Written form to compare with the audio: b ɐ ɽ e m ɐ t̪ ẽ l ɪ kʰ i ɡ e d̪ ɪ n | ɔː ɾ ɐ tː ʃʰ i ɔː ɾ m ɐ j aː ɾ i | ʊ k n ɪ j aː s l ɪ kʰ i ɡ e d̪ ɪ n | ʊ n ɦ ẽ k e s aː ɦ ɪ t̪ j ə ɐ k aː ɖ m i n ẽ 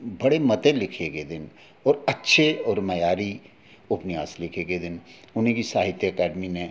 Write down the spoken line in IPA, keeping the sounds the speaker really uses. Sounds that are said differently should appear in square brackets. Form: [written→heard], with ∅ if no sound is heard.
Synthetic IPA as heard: b ɐ ɽ e m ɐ t̪ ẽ l ɪ kʰ [i→e] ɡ e d̪ ɪ n | ɔː ɾ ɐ tː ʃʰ [i→e] ɔː ɾ m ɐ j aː ɾ i | ʊ [k→p] n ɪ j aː s l ɪ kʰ [i→e] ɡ e d̪ ɪ n | ʊ n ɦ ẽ k [e→i] s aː ɦ ɪ t̪ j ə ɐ k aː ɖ m i n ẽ